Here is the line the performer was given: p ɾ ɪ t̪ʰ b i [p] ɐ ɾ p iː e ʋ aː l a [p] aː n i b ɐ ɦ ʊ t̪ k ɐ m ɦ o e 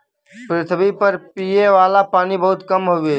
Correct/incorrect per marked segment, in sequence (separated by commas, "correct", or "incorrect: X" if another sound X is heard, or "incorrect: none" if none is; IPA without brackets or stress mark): correct, correct